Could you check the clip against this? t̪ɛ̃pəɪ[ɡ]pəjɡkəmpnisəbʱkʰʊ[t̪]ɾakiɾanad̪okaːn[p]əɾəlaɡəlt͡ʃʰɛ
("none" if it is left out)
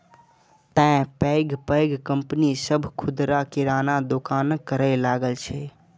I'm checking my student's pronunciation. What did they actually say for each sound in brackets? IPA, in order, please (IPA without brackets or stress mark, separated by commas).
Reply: ɡ, d̪, k